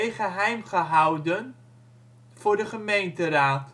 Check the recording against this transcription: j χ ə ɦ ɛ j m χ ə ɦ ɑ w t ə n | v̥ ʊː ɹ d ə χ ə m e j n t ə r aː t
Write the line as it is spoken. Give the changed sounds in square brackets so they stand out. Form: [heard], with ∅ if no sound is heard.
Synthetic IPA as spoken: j χ ə ɦ ɛ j m χ ə ɦ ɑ w [d] ə n | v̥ ʊː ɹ d ə χ ə m e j n t ə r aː t